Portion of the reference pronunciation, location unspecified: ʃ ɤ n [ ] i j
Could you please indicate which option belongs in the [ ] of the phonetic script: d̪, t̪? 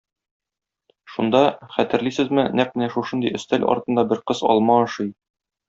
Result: d̪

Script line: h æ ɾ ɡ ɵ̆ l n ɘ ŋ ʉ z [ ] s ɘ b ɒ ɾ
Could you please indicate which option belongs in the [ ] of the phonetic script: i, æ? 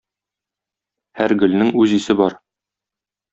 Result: i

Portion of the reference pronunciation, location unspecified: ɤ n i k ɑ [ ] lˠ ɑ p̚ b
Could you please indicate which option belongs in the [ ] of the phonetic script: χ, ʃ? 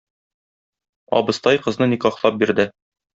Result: χ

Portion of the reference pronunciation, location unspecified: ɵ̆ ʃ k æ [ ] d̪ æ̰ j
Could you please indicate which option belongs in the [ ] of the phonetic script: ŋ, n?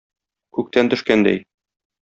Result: n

